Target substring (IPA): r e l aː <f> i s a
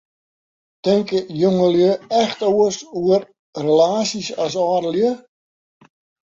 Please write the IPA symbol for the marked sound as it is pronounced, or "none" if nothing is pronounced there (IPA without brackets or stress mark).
s